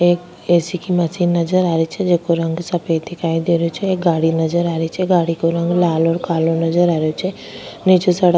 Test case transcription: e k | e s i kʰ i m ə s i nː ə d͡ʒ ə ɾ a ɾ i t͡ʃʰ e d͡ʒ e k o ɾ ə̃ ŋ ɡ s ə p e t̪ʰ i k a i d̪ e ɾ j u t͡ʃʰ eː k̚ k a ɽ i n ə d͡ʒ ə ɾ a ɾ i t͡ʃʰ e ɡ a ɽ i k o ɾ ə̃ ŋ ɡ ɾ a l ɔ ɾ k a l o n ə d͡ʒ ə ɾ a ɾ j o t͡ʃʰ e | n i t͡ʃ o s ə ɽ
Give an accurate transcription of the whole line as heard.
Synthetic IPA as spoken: e k | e s i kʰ i m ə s i nː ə d͡ʒ ə ɾ a ɾ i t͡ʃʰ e d͡ʒ e k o ɾ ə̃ ŋ ɡ s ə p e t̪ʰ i k a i d̪ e ɾ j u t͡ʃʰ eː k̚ ɡ a ɽ i n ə d͡ʒ ə ɾ a ɾ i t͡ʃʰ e ɡ a ɽ i k o ɾ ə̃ ŋ ɡ l a l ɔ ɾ k a l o n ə d͡ʒ ə ɾ a ɾ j o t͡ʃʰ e | n i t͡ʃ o s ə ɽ

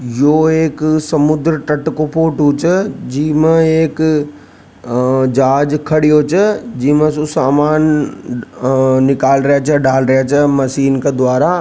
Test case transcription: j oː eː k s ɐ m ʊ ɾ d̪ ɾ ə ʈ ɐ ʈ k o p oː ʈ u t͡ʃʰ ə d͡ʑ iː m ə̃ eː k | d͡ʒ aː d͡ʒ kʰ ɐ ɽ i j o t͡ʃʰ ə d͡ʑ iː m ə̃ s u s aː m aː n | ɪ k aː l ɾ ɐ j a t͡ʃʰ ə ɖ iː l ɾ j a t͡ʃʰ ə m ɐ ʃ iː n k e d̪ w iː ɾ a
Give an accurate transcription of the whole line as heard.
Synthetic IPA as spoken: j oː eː k s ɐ m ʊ d̪ ɾ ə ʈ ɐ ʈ k o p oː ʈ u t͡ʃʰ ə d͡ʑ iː m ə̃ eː k | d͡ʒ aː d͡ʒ kʰ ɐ ɽ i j o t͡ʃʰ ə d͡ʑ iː m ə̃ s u s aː m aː n | ɪ k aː l ɾ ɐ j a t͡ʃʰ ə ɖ aː l ɾ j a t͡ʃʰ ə m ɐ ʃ iː n k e d̪ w aː ɾ a

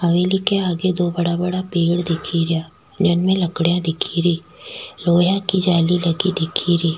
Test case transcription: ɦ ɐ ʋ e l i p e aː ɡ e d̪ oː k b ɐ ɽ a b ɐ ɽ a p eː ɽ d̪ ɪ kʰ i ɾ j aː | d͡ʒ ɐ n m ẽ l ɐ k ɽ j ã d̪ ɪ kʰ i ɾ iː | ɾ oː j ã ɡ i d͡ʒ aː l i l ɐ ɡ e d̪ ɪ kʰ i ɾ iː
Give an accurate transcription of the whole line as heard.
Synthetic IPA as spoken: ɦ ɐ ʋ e l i k e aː ɡ e d̪ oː b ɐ ɽ a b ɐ ɽ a p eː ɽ d̪ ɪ kʰ i ɾ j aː | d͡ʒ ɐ n m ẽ l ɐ k ɽ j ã d̪ ɪ kʰ i ɾ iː | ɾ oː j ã k i d͡ʒ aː l i l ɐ ɡ i d̪ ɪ kʰ i ɾ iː

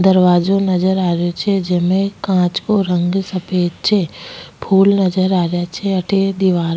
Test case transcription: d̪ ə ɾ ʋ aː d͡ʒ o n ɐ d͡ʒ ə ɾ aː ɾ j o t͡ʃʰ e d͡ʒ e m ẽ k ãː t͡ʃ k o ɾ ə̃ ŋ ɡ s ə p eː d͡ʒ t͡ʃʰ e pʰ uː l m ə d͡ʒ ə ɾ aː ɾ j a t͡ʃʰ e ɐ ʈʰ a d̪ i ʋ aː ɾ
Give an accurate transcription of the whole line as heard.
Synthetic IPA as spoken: d̪ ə ɾ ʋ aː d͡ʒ o n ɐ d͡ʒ ə ɾ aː ɾ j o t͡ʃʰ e d͡ʒ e m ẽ k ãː t͡ʃ k o ɾ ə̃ ŋ ɡ s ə p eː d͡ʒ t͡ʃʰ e pʰ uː l n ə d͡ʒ ə ɾ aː ɾ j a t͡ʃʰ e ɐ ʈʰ e d̪ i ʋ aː ɾ

